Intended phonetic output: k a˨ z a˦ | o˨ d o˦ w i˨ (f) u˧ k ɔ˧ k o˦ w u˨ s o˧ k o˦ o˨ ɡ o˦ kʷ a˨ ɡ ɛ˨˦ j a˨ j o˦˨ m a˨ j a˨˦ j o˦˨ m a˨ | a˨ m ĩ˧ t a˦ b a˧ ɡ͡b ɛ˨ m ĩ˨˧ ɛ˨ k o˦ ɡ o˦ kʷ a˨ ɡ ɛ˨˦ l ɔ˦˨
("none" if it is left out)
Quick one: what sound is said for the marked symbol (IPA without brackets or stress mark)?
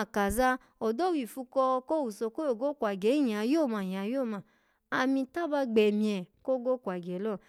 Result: f